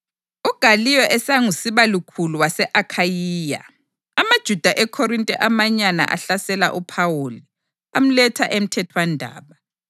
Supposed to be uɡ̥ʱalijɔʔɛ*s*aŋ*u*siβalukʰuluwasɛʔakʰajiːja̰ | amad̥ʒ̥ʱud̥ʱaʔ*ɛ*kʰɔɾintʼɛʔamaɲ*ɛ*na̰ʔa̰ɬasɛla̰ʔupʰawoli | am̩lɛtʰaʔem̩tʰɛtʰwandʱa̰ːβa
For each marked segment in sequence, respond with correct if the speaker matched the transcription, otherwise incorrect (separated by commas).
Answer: correct, correct, correct, incorrect